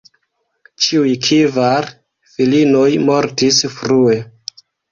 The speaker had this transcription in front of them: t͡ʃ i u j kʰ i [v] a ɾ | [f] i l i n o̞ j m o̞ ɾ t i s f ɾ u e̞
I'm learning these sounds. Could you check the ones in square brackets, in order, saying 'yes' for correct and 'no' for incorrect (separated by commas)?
yes, yes